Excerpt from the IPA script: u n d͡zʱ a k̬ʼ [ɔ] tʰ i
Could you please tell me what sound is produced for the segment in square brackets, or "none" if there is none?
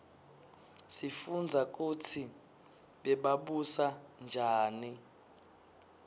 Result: u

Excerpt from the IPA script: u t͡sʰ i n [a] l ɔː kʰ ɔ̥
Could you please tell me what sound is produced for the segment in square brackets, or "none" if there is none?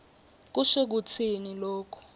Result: i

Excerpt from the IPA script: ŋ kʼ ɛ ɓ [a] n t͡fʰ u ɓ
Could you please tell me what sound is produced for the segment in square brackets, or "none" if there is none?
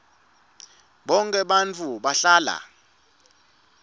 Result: a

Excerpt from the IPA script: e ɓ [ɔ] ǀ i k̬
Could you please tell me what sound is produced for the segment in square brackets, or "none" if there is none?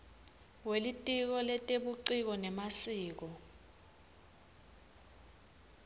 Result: u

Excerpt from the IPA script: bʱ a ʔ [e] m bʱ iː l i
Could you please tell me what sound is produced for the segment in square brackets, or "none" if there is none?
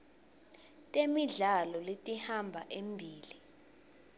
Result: e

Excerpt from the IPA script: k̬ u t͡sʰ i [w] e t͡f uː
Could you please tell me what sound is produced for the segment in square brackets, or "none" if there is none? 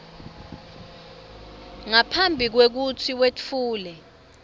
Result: w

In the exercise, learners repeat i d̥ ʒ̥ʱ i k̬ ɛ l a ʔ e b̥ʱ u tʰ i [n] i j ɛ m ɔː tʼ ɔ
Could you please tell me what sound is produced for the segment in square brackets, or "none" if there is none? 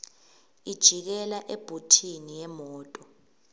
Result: n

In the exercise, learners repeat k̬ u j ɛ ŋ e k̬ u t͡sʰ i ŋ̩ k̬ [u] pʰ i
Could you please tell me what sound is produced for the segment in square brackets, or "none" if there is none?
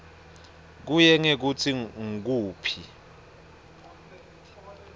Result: uː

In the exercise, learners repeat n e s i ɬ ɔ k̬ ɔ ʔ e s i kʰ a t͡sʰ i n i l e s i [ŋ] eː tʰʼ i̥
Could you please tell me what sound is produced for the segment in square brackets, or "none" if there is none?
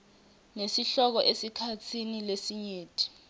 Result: ɲ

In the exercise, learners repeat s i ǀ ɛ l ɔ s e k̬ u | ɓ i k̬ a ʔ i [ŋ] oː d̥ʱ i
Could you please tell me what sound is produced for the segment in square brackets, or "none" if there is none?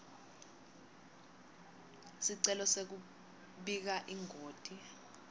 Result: ŋ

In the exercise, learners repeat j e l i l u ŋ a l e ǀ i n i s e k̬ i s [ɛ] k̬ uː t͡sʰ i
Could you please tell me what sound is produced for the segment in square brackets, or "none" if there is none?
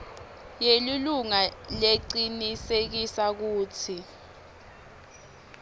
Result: a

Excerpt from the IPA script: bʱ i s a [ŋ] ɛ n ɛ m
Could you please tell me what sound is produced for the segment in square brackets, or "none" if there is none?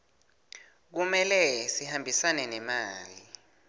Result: n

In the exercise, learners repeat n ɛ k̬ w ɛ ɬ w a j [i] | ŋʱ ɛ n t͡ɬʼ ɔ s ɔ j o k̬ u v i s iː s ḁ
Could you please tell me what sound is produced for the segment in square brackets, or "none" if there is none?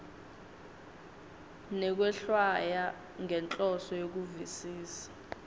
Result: a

